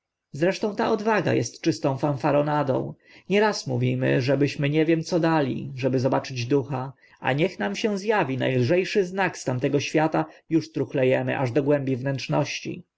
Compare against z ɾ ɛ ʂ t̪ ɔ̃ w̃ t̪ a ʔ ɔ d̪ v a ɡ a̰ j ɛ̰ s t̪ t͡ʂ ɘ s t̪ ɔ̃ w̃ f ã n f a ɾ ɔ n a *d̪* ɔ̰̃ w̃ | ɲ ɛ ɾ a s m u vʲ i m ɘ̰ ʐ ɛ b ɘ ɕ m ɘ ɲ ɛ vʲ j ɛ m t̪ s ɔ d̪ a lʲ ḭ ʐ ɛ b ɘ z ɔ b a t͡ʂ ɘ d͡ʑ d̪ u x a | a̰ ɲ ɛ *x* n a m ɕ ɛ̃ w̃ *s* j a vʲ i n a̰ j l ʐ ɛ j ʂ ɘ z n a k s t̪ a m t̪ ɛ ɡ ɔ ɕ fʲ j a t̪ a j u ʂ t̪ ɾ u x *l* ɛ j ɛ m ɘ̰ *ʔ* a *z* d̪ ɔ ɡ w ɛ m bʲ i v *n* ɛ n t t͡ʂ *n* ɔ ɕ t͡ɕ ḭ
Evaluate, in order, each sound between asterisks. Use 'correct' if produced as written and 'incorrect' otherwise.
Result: correct, correct, incorrect, correct, correct, incorrect, correct, correct

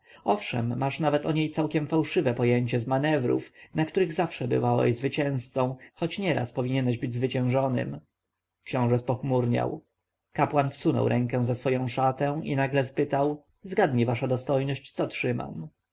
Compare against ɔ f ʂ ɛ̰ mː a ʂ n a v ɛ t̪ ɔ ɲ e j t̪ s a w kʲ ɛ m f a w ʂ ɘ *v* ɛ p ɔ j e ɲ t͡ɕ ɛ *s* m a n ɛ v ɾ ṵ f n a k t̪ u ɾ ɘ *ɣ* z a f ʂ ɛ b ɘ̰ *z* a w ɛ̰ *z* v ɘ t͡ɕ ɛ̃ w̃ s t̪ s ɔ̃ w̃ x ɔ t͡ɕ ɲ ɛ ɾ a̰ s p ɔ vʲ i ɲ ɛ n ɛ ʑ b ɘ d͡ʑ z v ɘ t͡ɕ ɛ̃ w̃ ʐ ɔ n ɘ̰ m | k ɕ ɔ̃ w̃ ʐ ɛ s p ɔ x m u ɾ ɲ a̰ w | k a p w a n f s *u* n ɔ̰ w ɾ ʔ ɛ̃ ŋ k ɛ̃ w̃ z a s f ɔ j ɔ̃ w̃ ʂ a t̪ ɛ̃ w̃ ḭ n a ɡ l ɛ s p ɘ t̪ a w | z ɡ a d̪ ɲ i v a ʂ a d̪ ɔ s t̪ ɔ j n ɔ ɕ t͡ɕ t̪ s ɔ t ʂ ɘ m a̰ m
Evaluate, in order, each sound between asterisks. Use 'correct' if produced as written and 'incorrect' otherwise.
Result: correct, incorrect, correct, incorrect, correct, correct

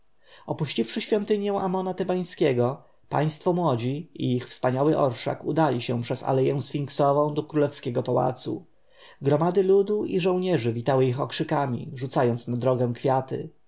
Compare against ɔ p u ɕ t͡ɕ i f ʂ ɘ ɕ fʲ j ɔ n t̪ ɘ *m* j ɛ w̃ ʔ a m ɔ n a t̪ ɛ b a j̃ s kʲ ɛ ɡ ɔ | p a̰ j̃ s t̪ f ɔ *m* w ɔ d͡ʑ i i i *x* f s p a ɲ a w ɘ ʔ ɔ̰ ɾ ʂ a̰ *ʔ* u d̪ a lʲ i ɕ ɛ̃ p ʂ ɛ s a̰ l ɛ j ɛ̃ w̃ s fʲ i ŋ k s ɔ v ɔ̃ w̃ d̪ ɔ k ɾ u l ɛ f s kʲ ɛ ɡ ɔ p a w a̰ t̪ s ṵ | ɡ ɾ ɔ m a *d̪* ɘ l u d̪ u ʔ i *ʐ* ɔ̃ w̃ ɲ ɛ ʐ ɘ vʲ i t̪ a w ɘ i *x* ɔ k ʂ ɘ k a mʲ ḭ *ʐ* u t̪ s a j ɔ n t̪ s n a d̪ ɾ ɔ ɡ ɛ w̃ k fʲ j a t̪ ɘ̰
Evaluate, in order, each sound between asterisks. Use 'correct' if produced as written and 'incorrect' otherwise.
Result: incorrect, correct, correct, incorrect, correct, correct, correct, correct

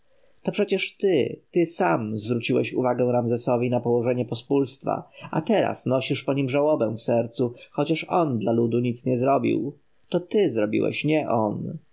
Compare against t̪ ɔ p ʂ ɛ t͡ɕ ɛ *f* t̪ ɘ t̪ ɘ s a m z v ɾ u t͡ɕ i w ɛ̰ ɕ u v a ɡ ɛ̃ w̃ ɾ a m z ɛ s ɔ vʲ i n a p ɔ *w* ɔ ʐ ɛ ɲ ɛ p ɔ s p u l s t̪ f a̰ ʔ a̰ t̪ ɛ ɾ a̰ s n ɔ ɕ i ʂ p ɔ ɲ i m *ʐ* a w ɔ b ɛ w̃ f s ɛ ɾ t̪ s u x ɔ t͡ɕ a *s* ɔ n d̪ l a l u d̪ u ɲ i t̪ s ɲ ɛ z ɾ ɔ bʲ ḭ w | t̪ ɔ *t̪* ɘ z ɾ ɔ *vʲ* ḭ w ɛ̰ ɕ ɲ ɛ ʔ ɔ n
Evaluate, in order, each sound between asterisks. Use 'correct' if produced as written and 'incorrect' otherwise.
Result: incorrect, correct, correct, incorrect, correct, incorrect

